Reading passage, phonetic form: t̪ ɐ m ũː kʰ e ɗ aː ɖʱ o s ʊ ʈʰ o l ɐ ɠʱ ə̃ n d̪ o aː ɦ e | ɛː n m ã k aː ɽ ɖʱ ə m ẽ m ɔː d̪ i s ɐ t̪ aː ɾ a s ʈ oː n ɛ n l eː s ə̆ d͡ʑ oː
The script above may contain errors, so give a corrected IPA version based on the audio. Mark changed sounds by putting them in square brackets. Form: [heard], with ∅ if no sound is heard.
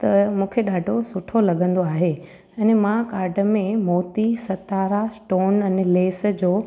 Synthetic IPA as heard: t̪ ɐ m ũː kʰ e ɗ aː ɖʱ o s ʊ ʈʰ o l ɐ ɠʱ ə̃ n d̪ o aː ɦ e | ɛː n m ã k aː [ɾ] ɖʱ ə m ẽ m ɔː [t̪] i s ɐ t̪ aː ɾ a s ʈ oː n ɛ n l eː s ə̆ d͡ʑ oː